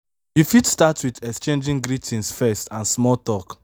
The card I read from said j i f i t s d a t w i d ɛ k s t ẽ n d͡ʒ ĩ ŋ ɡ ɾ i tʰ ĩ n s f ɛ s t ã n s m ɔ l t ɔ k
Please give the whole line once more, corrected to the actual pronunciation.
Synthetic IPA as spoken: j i f i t s t a t w i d ɛ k s t͡ʃ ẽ n d͡ʒ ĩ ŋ ɡ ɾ i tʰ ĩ n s f ɛ s t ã n s m ɔ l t ɔ k